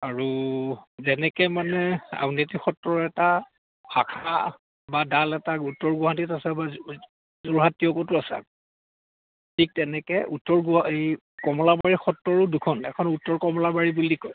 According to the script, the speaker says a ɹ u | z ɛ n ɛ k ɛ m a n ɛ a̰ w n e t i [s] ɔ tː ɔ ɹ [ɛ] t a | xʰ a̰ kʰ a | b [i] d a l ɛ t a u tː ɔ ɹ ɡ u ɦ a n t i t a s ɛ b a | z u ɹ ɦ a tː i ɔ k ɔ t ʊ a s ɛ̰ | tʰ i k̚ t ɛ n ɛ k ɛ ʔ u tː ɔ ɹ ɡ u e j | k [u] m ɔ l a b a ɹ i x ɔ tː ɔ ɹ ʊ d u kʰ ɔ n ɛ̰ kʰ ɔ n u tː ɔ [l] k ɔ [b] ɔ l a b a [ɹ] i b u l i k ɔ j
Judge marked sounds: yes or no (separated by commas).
no, yes, no, no, no, no, yes